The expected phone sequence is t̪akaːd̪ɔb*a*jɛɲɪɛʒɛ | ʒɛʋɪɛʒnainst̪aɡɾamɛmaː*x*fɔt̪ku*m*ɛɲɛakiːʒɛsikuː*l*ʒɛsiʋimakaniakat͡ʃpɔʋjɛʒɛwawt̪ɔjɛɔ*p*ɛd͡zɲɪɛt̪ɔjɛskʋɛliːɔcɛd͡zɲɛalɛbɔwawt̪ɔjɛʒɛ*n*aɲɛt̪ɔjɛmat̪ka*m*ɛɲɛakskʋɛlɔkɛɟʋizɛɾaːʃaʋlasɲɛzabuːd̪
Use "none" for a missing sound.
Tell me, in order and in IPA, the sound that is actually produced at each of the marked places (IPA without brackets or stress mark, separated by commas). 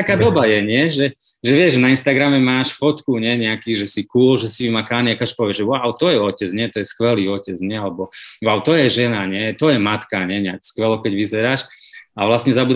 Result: a, ʃ, ɲ, l, c, n, ɲ